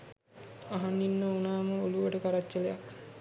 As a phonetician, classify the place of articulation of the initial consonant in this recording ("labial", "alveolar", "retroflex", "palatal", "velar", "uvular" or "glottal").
glottal